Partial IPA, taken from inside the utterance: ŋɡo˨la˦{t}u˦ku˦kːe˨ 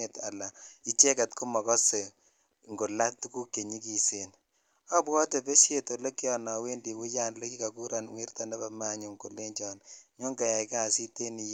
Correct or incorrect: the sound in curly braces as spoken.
correct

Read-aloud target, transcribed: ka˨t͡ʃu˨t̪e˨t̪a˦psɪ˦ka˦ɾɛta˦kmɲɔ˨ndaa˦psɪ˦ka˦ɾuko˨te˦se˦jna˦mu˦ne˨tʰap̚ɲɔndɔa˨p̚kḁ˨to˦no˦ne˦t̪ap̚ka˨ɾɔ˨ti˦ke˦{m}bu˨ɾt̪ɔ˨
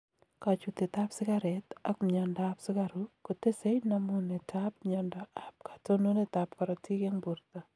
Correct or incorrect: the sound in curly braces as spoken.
incorrect: ŋ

